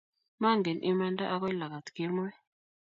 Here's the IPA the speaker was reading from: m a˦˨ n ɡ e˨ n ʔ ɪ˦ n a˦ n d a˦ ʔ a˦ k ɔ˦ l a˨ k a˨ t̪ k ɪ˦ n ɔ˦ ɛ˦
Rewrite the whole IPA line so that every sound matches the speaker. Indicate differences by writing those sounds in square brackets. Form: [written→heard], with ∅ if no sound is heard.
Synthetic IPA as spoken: m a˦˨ [n→ŋ] ɡ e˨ n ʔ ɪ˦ [n→m] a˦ n d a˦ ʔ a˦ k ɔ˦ l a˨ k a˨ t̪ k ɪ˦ [n→m] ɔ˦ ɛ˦

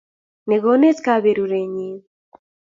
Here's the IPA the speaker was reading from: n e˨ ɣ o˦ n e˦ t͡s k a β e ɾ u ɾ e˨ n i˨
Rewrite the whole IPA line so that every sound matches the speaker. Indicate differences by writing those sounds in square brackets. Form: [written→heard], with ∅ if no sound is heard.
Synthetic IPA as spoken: n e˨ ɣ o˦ n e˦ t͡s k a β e ɾ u ɾ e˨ [n→ɲ] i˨

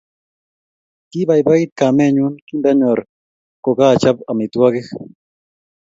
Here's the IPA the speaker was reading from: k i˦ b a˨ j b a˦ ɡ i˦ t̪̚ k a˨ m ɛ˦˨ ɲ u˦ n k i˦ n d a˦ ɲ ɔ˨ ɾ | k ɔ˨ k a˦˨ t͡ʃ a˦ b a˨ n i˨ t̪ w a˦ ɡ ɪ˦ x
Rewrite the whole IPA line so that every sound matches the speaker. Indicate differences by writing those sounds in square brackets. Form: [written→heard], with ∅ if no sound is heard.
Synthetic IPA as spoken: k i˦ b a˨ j b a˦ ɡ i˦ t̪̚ k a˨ m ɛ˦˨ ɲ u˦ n k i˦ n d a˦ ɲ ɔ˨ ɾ | k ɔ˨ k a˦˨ t͡ʃ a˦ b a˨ [n→m] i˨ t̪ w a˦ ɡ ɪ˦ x

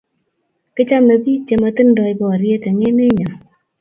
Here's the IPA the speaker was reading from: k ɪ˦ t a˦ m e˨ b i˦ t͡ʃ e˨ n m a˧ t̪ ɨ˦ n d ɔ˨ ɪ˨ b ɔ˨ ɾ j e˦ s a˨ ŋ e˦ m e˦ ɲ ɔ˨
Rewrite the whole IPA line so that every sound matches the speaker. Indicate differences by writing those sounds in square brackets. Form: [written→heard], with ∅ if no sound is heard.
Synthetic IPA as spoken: k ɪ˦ [t→t͡ʃ] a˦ m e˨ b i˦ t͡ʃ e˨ [n→∅] m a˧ t̪ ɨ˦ n d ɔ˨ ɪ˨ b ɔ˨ ɾ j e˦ [s→t] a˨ ŋ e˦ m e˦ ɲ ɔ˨

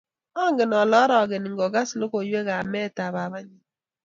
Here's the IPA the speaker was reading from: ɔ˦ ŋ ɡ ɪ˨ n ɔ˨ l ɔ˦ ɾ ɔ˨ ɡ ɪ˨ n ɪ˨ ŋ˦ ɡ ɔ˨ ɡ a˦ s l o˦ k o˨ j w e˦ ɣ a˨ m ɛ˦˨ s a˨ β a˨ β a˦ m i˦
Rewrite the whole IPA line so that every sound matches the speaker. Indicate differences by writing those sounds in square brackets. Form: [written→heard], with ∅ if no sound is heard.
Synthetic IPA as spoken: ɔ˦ ŋ ɡ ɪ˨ n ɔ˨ l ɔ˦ ɾ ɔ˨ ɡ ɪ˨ n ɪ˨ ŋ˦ ɡ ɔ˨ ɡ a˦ s l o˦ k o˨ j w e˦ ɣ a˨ m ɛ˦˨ [s→t] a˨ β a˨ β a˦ [m→ɲ] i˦

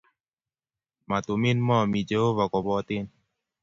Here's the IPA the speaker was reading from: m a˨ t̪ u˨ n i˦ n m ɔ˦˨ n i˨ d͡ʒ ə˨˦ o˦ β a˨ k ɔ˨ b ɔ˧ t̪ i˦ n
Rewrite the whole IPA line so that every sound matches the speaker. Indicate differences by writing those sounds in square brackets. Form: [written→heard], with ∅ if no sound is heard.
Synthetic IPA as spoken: m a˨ t̪ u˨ [n→m] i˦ n m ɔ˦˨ [n→m] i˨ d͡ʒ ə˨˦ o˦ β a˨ k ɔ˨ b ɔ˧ t̪ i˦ n

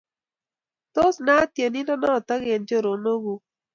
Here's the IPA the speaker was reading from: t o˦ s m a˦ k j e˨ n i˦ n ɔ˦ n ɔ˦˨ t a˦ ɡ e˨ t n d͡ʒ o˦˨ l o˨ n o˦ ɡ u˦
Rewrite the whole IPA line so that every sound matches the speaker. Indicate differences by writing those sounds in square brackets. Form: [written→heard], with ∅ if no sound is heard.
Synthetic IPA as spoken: t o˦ s [m→n] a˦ [k→t] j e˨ n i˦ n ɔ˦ n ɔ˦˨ t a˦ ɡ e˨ [t→∅] n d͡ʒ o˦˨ [l→ɾ] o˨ n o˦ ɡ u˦

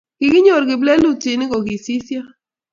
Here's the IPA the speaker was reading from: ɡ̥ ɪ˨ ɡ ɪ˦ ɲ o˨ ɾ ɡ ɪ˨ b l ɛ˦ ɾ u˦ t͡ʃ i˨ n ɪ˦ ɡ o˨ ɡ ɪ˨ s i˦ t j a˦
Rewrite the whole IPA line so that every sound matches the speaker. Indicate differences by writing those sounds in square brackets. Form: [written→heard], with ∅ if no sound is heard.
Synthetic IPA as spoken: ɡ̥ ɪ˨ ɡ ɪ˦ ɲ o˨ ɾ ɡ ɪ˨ b l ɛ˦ [ɾ→l] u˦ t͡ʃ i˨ n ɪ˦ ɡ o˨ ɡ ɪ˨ s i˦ [t→s] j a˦

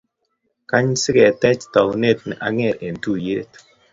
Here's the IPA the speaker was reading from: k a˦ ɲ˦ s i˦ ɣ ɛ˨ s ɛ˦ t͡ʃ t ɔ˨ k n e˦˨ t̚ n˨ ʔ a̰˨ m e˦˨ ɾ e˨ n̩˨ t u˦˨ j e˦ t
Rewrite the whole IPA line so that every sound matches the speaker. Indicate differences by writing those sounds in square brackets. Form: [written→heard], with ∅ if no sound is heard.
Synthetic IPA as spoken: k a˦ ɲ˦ s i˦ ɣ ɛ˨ [s→t] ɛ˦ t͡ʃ t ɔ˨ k n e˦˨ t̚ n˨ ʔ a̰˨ [m→ŋ] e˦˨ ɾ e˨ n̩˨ t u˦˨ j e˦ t

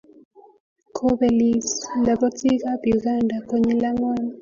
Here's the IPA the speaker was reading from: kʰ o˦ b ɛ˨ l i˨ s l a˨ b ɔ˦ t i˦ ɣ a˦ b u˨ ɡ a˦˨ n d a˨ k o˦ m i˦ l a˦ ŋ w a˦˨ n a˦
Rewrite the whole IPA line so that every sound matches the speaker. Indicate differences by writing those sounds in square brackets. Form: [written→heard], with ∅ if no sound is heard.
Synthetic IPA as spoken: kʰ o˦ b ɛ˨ l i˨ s l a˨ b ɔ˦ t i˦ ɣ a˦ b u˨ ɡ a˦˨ n d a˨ k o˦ [m→ɲ] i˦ l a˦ ŋ w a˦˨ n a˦

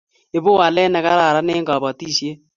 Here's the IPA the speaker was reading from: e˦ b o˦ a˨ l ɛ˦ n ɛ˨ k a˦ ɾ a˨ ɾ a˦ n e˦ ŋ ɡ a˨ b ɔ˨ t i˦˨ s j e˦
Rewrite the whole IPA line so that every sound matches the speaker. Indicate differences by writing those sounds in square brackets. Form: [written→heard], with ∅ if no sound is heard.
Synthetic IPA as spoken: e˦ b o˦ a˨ l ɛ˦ n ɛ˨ k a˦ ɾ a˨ ɾ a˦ n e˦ ŋ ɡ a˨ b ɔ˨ t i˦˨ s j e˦

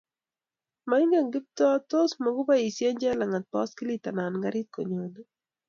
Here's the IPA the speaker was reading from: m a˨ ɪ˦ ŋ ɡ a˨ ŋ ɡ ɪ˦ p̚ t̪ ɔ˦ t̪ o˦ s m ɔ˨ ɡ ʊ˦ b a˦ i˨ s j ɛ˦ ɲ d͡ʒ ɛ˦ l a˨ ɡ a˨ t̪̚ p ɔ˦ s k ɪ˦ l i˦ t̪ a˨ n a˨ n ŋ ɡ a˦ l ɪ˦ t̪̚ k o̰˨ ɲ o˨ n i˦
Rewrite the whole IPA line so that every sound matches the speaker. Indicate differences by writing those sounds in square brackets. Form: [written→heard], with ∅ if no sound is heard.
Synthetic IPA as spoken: m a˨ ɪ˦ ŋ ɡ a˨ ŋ ɡ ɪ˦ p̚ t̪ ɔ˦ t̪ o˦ s m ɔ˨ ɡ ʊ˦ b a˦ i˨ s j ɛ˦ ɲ d͡ʒ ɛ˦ l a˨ [ɡ→ŋ] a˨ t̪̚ p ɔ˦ s k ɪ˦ l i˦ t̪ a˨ n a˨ n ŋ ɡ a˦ [l→ɾ] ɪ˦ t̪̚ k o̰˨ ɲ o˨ n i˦

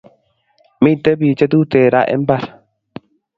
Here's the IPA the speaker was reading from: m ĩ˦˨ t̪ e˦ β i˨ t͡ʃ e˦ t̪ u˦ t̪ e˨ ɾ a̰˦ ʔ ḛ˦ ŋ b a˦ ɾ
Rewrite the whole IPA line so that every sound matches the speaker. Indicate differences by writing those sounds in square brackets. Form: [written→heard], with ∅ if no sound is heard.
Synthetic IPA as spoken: m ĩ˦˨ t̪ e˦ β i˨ t͡ʃ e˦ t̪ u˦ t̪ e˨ ɾ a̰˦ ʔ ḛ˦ [ŋ→m] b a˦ ɾ

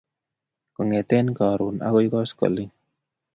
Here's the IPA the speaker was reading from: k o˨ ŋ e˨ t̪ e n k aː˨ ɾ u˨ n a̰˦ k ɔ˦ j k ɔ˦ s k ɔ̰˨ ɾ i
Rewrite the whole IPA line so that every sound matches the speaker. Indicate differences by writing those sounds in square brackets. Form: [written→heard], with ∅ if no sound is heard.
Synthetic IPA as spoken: k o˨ ŋ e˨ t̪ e n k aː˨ ɾ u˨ n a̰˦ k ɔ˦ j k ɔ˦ s k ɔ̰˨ [ɾ→l] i

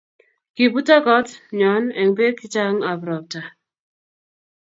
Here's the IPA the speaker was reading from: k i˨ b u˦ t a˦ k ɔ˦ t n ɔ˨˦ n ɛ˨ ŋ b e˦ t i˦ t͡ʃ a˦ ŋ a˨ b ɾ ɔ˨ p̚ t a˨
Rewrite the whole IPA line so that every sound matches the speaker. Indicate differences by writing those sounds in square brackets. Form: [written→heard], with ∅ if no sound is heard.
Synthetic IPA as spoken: k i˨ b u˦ t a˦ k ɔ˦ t [n→ɲ] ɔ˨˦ n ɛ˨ ŋ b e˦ [t→k] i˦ t͡ʃ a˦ ŋ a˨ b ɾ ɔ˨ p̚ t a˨

